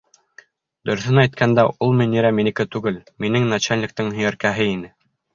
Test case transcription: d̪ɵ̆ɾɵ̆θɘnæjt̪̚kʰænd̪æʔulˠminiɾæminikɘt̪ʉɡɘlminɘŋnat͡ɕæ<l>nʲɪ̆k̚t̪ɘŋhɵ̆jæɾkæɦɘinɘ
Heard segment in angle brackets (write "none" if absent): l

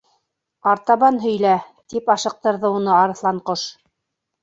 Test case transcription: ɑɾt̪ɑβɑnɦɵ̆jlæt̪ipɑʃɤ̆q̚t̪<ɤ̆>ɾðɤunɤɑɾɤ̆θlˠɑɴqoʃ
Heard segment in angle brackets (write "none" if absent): ɤ̆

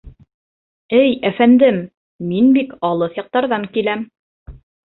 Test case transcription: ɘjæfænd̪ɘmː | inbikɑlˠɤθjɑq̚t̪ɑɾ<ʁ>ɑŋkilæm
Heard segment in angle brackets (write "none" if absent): ð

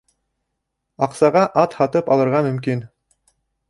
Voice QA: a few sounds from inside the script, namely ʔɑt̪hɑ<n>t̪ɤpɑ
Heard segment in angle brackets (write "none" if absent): none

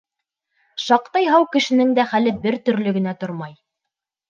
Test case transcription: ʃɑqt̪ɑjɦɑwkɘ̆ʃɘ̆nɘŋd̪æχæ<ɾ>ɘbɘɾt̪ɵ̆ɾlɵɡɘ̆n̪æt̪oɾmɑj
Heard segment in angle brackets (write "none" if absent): l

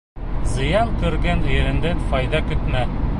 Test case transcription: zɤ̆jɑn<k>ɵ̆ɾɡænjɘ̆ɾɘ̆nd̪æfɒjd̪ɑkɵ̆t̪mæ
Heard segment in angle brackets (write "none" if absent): k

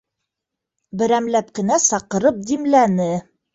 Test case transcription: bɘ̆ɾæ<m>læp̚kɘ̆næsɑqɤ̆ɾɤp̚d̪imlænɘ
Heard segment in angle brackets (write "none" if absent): m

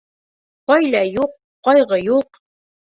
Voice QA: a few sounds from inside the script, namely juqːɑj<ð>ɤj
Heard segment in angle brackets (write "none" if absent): ʁ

